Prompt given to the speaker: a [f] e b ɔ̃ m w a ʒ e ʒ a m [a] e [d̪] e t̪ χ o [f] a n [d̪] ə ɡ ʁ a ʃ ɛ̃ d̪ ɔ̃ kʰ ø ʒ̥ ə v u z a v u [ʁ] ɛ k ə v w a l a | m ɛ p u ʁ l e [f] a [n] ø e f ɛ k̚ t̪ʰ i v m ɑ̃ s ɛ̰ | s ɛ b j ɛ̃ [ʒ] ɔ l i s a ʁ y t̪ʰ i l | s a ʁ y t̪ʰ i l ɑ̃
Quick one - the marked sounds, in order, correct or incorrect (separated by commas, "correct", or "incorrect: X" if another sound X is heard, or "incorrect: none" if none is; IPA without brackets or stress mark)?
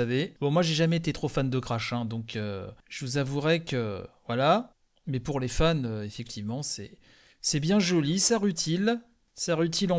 incorrect: v, incorrect: ɛ, incorrect: t̪, correct, correct, correct, correct, correct, correct